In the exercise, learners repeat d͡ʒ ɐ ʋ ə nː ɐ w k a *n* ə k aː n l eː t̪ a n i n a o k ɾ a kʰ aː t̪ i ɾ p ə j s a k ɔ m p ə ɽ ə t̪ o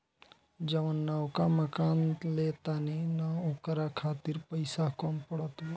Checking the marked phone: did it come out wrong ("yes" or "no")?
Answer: yes